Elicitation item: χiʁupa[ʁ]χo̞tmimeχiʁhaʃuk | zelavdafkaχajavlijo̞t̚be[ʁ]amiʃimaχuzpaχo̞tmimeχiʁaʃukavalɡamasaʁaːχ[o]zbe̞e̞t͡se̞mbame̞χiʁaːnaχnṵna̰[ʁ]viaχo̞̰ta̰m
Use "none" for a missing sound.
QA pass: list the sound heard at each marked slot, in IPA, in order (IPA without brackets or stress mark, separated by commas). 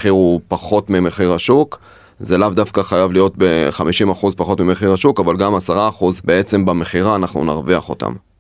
none, χ, u, ʁ